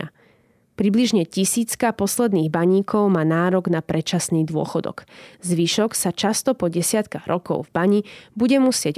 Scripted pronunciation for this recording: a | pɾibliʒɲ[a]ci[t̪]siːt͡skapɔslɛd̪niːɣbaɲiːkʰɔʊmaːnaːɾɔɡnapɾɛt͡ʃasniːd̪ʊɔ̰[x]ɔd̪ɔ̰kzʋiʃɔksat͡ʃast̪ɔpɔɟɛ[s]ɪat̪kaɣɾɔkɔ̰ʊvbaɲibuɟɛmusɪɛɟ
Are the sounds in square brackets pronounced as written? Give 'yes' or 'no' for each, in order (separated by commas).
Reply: no, no, yes, yes